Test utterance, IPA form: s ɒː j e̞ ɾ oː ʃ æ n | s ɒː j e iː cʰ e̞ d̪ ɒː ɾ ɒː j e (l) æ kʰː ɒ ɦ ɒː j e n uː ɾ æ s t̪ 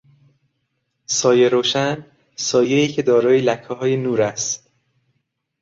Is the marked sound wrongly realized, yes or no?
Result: no